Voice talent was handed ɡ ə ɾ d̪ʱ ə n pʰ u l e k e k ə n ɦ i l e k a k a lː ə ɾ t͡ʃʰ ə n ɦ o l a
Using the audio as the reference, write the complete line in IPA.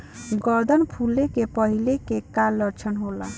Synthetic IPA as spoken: ɡ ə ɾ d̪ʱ ə n pʰ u l e k e p ə ɦ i l e k e k a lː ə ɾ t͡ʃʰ ə n ɦ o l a